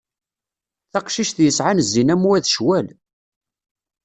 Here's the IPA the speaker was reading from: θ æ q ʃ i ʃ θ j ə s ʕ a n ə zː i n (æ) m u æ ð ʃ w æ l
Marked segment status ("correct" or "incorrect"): correct